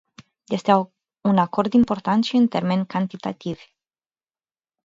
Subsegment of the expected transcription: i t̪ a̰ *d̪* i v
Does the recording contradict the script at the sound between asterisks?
yes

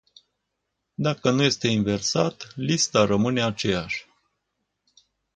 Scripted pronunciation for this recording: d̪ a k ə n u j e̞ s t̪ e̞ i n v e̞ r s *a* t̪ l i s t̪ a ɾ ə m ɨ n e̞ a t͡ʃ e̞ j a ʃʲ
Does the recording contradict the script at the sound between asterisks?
no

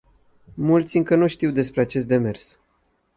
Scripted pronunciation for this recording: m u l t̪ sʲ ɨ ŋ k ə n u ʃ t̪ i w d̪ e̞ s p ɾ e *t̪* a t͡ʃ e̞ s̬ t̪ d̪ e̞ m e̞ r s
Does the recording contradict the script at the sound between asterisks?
yes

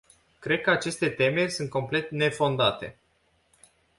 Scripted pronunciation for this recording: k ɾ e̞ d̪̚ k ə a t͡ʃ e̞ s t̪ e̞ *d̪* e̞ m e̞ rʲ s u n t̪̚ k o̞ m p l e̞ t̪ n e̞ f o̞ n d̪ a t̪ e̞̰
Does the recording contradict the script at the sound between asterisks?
yes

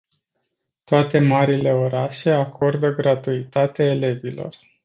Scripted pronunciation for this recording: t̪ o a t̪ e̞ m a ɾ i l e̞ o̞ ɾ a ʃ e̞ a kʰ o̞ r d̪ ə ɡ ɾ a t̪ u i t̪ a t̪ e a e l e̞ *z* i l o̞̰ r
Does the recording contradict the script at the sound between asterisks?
yes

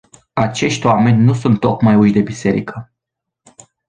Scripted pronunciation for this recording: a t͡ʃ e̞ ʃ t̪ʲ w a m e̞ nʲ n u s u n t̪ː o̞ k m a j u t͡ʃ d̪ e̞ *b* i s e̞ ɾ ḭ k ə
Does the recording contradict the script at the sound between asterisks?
no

